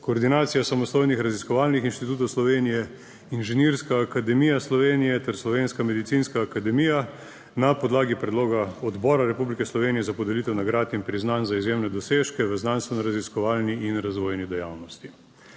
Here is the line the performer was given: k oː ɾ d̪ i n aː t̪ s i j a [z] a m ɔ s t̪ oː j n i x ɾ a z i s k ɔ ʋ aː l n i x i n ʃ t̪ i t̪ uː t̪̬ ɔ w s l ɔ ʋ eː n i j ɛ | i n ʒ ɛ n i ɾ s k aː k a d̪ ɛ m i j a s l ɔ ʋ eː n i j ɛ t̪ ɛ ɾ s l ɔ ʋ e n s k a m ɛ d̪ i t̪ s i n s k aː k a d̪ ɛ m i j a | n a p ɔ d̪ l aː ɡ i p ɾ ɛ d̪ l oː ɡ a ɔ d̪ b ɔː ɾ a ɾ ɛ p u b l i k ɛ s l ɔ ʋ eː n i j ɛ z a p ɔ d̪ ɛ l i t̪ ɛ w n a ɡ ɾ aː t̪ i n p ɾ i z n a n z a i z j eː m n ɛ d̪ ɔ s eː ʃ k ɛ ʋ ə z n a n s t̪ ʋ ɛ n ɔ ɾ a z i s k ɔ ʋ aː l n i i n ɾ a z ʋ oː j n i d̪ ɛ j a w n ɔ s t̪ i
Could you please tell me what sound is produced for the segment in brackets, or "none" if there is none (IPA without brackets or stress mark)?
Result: s